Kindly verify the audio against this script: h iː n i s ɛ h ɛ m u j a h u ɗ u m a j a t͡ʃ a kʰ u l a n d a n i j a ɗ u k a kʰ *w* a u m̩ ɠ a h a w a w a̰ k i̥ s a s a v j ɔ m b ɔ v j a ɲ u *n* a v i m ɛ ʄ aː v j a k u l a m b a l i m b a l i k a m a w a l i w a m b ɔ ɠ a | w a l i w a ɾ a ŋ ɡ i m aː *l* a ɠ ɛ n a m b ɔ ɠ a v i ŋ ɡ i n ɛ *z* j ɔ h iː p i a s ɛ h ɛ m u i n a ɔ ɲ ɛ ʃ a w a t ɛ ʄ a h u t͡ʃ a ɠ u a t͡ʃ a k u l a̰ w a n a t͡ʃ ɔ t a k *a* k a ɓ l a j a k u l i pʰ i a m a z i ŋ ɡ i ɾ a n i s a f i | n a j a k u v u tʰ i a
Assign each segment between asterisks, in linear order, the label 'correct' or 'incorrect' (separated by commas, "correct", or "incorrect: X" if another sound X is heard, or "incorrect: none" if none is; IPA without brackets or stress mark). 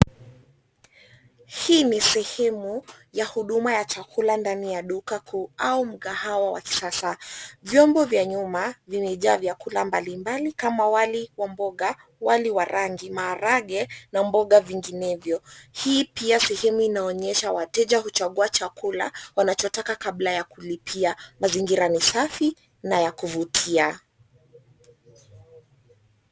incorrect: u, incorrect: m, incorrect: ɾ, incorrect: v, correct